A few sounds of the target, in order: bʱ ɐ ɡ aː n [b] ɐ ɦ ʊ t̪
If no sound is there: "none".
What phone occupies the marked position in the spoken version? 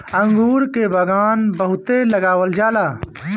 b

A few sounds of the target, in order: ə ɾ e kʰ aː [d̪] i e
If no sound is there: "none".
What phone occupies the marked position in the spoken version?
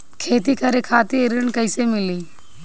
t̪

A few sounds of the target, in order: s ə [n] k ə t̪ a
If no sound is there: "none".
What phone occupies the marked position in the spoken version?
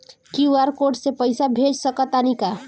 none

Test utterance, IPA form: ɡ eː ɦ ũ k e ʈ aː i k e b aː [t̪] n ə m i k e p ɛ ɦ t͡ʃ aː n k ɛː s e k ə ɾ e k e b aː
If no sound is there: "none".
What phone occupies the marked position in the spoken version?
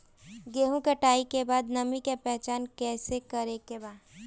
d̪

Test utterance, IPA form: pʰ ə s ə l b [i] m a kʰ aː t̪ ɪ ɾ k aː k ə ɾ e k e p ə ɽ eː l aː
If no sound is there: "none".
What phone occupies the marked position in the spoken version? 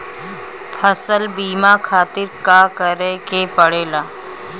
iː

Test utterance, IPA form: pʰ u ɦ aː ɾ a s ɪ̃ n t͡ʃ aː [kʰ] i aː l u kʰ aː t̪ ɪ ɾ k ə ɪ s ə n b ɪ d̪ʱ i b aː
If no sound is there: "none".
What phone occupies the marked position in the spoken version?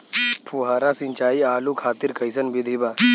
none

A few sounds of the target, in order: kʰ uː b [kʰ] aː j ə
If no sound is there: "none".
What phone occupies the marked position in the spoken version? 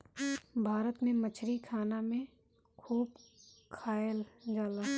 kʰ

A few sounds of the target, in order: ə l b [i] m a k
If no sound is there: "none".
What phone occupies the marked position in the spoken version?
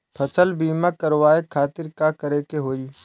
iː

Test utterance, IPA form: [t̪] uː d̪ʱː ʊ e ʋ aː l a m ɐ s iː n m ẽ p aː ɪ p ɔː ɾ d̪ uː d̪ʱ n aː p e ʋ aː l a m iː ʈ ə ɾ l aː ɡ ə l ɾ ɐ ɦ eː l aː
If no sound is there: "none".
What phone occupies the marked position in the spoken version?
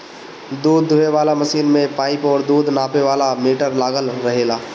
d̪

